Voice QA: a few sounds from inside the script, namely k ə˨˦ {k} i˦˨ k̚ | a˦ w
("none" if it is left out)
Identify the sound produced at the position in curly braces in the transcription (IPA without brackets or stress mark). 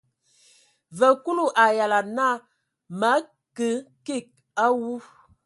k